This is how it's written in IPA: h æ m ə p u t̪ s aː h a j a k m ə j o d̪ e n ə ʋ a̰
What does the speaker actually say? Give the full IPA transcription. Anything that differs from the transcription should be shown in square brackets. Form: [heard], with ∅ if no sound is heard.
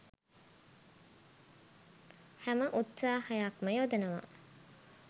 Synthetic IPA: h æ m ə [ʔ] u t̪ s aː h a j a k m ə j o d̪ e n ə ʋ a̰